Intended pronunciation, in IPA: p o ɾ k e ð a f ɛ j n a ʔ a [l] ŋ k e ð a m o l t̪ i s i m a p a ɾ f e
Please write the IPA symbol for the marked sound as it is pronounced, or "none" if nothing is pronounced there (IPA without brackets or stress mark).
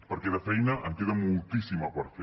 none